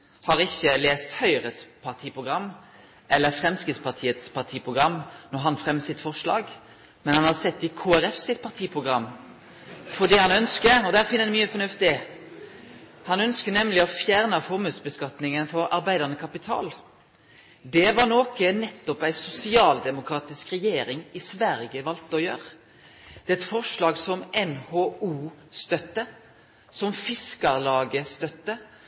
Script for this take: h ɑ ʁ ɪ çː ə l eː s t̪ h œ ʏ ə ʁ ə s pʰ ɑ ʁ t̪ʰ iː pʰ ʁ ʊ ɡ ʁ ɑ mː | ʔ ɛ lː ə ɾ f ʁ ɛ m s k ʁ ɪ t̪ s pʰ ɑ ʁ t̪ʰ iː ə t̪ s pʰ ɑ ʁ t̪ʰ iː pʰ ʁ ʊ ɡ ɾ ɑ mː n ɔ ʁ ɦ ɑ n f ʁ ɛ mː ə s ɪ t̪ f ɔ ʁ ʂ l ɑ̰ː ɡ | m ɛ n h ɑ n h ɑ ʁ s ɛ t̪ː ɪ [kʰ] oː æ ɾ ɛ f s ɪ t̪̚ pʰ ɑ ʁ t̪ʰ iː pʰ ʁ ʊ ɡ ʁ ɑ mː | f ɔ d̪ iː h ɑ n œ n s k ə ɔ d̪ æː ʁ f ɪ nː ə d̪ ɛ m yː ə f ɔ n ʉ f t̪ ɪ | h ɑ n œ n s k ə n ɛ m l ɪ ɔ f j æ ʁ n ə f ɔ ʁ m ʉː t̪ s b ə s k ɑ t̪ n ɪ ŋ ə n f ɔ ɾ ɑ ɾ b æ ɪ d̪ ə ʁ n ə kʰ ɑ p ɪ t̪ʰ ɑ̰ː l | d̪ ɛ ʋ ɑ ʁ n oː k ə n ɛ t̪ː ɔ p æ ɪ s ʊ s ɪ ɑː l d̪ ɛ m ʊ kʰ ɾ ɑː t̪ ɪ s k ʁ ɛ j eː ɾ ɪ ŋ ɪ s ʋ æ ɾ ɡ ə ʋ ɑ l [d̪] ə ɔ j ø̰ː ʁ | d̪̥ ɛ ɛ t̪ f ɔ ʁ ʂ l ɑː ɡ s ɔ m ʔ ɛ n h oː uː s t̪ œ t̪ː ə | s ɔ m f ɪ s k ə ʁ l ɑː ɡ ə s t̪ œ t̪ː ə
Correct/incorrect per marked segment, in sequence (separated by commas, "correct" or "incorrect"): correct, incorrect